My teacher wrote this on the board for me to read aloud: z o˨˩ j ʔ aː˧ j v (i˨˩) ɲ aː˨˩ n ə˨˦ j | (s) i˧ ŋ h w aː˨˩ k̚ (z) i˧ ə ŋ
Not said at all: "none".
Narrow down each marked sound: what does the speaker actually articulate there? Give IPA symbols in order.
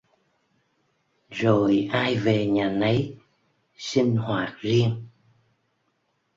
e˨˩, s, z

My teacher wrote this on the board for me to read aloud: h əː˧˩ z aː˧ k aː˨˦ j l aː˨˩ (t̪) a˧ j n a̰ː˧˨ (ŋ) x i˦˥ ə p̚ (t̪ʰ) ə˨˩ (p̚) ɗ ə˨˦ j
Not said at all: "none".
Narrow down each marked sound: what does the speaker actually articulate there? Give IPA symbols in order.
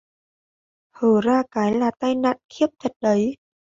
t̪, n, t̪ʰ, t̚

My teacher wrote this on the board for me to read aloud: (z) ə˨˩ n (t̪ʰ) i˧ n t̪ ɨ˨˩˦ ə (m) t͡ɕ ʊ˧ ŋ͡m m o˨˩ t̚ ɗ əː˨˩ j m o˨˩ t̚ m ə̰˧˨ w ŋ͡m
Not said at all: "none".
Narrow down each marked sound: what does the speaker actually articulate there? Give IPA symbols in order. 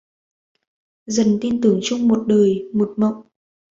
z, t̪, ŋ

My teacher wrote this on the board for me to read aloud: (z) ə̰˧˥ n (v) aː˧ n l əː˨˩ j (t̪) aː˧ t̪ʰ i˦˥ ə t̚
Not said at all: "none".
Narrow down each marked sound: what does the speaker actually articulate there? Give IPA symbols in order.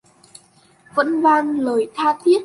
v, v, t̪ʰ

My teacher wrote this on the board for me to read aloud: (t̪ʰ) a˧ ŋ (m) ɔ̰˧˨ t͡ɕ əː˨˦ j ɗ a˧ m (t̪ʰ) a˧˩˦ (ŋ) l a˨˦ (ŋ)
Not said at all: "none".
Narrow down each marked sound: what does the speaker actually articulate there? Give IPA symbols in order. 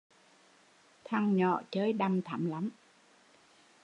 t̪ʰ, ɲ, t̪ʰ, m, m

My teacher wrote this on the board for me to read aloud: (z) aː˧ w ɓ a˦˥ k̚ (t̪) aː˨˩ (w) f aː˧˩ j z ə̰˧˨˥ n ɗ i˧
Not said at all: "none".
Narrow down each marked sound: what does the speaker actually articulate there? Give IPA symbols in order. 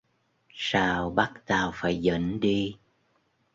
s, t̪, w

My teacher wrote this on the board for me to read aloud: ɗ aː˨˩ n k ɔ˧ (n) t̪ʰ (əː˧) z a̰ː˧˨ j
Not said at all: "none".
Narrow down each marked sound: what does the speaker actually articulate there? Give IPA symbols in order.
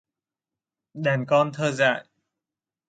n, əː˧

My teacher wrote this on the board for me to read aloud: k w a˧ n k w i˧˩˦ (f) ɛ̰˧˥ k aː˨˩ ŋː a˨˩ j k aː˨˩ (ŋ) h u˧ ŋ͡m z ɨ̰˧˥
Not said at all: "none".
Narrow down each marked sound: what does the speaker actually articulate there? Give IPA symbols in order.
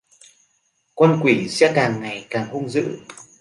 s, ŋ

